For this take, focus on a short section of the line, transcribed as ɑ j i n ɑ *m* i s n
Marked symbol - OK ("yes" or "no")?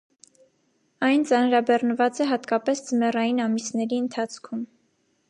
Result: yes